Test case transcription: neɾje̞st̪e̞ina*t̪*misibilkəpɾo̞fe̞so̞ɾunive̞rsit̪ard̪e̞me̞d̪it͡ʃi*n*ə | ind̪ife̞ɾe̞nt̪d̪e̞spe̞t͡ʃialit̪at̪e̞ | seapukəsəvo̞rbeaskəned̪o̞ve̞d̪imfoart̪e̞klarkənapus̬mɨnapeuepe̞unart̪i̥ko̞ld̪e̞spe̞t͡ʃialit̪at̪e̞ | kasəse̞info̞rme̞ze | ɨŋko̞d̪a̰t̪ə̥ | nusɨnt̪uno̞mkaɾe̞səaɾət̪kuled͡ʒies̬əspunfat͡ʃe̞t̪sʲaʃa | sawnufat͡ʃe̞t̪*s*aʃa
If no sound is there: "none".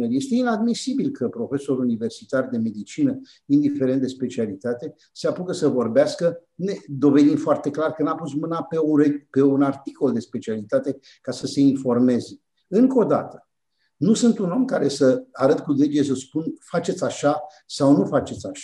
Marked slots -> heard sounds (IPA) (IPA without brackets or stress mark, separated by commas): d̪, n, s